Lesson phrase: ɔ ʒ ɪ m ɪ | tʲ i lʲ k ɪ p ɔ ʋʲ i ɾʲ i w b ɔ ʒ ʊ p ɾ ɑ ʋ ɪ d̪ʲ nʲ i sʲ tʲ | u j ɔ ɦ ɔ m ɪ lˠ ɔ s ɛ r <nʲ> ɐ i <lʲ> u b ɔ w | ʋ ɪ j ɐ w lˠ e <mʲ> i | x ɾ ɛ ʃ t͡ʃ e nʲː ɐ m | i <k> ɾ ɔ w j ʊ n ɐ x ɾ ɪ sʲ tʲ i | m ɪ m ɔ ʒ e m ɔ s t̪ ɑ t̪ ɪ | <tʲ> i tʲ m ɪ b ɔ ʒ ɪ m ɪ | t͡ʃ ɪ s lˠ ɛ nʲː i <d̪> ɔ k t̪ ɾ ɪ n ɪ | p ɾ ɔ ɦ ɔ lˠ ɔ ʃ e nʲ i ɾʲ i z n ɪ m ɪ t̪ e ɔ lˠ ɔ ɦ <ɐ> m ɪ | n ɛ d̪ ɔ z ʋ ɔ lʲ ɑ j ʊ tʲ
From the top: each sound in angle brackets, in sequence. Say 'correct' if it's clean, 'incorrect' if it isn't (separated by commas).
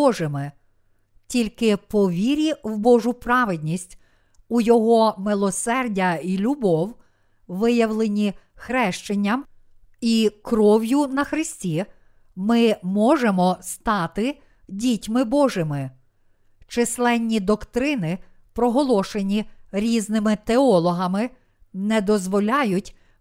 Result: incorrect, correct, incorrect, correct, incorrect, correct, correct